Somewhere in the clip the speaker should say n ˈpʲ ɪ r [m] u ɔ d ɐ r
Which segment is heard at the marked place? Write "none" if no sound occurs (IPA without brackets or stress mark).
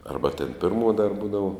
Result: m